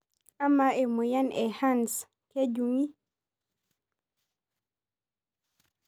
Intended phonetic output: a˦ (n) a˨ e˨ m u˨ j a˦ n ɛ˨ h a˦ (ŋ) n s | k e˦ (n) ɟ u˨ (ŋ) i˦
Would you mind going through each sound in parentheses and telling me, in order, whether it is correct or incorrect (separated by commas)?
incorrect, incorrect, incorrect, correct